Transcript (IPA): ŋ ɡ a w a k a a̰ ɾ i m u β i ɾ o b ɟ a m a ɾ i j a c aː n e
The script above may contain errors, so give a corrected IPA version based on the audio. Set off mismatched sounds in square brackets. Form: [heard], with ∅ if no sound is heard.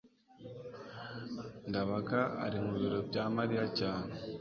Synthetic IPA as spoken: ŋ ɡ a [β] a k a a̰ ɾ i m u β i ɾ o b ɟ a m a ɾ i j a c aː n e